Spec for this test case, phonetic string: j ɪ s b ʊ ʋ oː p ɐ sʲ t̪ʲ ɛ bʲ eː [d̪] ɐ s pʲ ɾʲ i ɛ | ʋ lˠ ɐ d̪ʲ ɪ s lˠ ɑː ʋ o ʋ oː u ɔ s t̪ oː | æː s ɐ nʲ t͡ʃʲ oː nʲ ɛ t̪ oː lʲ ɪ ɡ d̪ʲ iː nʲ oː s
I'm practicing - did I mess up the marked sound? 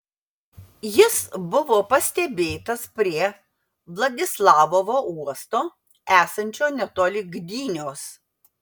yes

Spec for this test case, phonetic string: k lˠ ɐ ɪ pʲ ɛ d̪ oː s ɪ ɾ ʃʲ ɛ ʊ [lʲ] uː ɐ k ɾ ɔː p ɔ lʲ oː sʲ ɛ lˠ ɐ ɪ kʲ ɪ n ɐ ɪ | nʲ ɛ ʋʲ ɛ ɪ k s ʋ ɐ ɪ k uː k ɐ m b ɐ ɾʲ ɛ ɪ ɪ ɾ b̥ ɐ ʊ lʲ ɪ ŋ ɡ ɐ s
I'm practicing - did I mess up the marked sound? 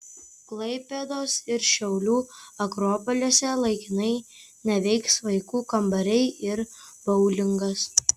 no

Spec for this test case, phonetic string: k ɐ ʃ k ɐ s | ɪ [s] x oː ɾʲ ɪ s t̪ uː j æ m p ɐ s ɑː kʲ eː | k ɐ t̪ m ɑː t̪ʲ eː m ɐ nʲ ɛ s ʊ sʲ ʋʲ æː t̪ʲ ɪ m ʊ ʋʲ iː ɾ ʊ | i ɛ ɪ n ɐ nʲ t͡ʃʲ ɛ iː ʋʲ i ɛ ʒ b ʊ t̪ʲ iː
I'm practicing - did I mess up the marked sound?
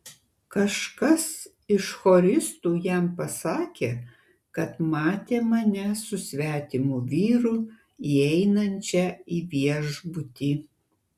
yes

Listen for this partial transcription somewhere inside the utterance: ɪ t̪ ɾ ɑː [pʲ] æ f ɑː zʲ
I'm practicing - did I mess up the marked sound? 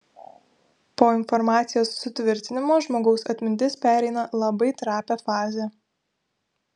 no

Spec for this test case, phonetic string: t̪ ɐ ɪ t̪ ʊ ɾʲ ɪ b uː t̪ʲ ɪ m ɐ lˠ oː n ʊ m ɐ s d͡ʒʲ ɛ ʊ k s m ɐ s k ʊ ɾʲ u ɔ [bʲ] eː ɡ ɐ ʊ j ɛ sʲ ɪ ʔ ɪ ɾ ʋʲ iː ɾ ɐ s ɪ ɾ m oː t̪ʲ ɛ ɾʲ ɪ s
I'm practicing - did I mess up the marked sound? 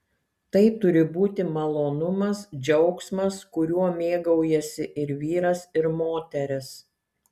yes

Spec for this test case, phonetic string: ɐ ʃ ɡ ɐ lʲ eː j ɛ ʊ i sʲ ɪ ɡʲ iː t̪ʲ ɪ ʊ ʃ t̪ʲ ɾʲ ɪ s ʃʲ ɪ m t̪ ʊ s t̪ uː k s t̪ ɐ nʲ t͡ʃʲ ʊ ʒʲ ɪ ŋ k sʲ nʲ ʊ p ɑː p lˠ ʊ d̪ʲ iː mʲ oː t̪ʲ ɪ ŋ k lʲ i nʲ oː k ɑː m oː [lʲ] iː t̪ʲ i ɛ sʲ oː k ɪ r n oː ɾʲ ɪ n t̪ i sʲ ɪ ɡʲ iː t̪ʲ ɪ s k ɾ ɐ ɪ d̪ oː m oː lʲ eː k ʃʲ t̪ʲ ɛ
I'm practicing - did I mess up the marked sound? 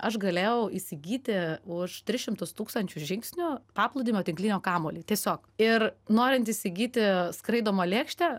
no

